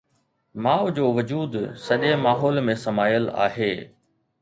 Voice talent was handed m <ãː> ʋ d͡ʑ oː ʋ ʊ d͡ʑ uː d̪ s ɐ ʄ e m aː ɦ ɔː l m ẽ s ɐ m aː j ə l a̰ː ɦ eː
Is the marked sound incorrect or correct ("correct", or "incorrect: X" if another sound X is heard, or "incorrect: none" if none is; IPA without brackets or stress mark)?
incorrect: aː